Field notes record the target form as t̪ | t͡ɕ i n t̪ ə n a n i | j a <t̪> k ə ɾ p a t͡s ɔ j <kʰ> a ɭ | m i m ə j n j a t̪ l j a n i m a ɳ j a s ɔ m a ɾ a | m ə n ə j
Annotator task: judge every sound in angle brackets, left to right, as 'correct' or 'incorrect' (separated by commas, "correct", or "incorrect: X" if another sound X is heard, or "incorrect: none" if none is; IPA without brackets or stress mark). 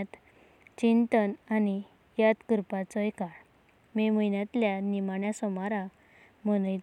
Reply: correct, incorrect: k